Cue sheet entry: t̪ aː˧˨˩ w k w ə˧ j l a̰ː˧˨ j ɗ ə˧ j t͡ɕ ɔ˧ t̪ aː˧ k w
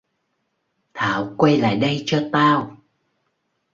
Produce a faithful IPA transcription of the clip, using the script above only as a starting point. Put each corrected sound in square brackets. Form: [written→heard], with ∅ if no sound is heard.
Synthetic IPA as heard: [t̪→t̪ʰ] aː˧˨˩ w k w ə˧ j l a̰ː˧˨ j ɗ ə˧ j t͡ɕ ɔ˧ t̪ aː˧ [k→∅] w